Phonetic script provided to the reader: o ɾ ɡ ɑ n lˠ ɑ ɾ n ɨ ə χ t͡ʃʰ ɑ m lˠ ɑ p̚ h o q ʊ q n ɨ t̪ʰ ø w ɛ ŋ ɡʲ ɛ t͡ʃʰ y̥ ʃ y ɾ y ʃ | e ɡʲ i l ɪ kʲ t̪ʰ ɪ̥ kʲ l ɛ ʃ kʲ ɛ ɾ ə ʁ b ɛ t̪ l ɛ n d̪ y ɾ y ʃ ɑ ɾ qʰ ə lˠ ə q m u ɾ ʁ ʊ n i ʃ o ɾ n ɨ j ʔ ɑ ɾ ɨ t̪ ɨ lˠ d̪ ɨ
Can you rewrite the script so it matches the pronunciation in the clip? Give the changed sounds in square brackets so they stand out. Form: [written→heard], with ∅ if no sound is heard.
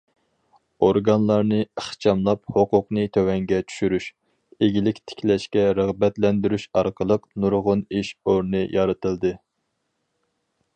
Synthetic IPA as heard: o ɾ ɡ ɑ n lˠ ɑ ɾ n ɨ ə χ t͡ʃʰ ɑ m lˠ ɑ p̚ h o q ʊ q n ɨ t̪ʰ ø w ɛ ŋ ɡʲ ɛ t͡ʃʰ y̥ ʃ y ɾ y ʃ | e ɡʲ i l ɪ kʲ t̪ʰ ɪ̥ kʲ l ɛ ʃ kʲ ɛ ɾ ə ʁ b ɛ t̪ l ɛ n d̪ y ɾ y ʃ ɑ ɾ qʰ ə lˠ ə q [m→n] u ɾ ʁ ʊ n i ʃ o ɾ n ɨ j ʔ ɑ ɾ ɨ t̪ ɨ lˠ d̪ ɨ

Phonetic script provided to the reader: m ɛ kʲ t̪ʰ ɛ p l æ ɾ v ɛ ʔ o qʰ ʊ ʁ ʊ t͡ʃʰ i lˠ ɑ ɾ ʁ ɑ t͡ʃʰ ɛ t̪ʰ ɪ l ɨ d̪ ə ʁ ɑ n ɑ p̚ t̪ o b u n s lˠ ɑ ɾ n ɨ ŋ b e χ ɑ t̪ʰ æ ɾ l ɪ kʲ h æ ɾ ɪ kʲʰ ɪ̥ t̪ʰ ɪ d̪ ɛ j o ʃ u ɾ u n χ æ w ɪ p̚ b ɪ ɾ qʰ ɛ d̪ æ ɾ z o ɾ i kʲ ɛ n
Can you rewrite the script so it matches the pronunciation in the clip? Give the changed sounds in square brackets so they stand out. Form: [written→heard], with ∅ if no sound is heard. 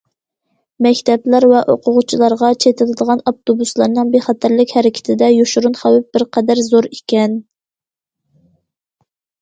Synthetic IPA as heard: m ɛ kʲ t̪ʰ ɛ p l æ ɾ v ɛ ʔ o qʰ ʊ ʁ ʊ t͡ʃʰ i lˠ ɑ ɾ ʁ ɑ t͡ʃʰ [ɛ→e] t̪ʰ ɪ l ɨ d̪ ə ʁ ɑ n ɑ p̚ t̪ o b u [n→∅] s lˠ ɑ ɾ n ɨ ŋ b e χ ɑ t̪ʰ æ ɾ l ɪ kʲ h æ ɾ ɪ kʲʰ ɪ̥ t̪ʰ ɪ d̪ ɛ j o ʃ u ɾ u n χ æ w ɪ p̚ b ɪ ɾ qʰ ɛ d̪ æ ɾ z o ɾ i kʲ ɛ n

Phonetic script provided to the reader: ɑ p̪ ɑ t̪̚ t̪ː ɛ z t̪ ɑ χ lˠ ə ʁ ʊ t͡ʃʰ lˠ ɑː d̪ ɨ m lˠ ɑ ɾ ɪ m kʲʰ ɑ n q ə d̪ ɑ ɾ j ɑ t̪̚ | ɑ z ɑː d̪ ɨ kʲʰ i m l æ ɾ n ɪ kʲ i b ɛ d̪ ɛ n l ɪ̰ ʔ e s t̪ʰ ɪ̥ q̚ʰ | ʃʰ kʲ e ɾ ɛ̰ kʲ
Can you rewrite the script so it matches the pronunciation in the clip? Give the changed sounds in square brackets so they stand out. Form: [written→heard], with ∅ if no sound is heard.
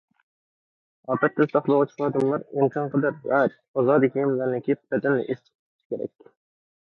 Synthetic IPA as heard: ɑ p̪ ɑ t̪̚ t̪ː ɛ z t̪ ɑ χ lˠ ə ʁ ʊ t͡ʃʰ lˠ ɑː d̪ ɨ m lˠ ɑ ɾ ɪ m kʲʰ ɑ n q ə d̪ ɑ ɾ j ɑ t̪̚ | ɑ z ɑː d̪ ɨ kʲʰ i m l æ ɾ n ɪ kʲ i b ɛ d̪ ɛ n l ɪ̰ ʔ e s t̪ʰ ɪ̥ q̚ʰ | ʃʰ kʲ e ɾ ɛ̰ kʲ

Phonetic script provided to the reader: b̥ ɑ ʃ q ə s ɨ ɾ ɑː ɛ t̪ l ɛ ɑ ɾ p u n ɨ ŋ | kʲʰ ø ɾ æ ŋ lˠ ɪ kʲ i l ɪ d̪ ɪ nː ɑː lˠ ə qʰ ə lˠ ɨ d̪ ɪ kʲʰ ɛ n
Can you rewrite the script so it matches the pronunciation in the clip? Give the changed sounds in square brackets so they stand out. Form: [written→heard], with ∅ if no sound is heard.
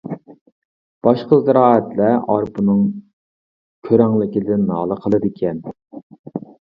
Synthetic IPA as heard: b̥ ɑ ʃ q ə [s→z] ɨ ɾ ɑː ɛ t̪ l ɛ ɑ ɾ p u n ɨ ŋ | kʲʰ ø ɾ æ ŋ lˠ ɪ kʲ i l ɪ d̪ ɪ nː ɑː lˠ ə qʰ ə lˠ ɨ d̪ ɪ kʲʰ ɛ n

